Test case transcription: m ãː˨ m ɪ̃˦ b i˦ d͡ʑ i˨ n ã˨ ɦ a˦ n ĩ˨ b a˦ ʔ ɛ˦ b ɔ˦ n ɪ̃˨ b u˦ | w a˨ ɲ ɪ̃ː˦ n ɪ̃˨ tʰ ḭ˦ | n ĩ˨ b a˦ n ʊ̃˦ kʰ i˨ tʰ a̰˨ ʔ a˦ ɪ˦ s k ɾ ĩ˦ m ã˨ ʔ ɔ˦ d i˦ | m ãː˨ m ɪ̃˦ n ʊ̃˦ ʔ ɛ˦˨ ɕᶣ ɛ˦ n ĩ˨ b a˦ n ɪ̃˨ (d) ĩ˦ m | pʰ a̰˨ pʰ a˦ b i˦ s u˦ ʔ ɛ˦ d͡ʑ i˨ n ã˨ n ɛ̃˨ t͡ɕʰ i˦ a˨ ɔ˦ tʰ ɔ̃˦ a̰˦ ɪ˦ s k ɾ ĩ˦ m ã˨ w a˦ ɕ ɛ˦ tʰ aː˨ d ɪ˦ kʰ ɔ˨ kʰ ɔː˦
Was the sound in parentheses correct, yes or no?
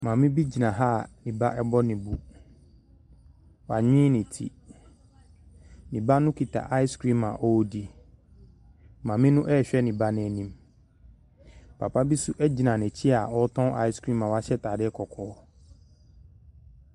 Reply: no